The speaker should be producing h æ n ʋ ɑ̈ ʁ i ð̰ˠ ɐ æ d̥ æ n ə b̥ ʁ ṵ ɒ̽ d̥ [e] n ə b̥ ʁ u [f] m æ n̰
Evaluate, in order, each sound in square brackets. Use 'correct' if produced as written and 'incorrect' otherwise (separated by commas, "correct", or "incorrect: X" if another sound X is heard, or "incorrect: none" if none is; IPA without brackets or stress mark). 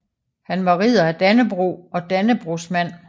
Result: incorrect: æ, incorrect: s